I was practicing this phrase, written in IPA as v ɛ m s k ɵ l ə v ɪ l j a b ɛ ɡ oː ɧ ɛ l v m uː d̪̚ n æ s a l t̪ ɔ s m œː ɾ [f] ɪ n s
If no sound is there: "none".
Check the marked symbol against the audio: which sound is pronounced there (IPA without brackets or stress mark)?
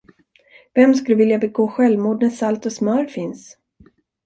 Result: f